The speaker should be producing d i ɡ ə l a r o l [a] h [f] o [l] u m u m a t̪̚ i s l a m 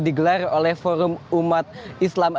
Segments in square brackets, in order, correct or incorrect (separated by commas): incorrect, correct, incorrect